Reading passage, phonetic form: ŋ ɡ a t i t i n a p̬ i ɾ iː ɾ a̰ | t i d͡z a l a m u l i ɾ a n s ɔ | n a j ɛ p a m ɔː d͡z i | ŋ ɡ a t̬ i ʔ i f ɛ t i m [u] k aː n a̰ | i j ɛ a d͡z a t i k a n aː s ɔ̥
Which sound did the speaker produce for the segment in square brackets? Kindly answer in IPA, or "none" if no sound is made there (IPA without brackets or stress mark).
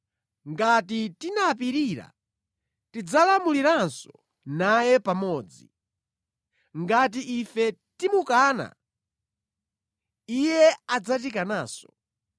u